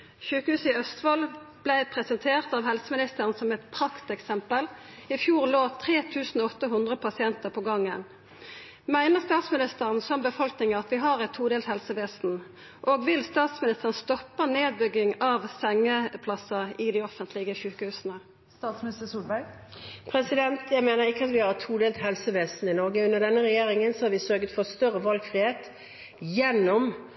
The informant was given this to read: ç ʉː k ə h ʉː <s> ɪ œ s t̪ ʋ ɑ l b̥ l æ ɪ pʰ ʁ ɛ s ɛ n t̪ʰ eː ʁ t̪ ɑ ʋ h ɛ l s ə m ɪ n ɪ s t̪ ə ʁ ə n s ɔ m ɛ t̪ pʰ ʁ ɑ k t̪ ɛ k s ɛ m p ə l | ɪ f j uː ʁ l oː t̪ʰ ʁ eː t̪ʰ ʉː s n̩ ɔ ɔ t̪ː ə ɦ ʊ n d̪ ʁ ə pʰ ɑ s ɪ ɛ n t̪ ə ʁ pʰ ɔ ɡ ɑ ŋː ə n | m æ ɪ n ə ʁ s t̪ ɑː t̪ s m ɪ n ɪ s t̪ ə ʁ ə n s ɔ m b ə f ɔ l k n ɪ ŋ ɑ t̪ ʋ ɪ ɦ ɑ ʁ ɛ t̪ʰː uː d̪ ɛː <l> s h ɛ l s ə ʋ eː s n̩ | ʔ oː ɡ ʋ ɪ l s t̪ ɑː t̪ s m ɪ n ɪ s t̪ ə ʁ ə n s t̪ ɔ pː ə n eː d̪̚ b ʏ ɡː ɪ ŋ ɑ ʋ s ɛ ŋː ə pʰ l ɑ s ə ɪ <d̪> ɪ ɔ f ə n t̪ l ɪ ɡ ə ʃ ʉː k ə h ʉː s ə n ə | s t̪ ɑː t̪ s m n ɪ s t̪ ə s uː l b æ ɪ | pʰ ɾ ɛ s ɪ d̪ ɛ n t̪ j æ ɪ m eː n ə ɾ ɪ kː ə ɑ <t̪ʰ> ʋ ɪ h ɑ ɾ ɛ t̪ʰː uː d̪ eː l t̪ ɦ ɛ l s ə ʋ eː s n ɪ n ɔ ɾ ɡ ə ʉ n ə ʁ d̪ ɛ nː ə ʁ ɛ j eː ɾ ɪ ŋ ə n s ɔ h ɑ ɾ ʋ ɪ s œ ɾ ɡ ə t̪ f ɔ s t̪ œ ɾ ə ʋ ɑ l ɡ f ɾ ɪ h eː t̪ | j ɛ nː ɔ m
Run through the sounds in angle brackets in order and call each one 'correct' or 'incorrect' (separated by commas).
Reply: correct, correct, correct, incorrect